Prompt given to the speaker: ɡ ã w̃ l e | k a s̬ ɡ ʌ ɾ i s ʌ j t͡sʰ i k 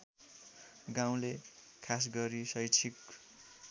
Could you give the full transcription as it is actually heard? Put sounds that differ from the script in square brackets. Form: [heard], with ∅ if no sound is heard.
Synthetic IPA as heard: ɡ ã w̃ l e | [kʰ] a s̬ ɡ ʌ ɾ i s ʌ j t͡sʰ i k